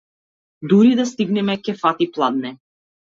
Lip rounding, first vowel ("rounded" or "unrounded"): rounded